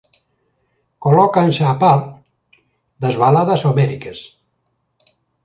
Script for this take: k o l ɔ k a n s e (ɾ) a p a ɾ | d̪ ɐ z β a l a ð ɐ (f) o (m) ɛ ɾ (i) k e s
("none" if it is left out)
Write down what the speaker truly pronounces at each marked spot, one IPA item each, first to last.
none, s, m, i

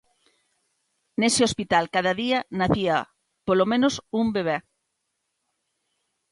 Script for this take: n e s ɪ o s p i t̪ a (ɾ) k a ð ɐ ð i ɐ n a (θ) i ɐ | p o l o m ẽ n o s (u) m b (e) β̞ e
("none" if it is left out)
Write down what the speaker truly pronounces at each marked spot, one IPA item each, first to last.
l, θ, u, e

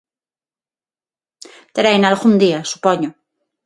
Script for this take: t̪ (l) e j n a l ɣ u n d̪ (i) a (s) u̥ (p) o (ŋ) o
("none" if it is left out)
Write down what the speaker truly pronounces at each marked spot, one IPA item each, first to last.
ɾ, i, s, p, ɲ

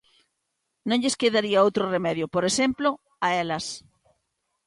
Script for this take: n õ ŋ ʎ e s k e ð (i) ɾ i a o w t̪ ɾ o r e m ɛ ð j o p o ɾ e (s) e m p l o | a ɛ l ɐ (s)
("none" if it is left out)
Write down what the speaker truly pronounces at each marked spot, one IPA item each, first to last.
a, s, s

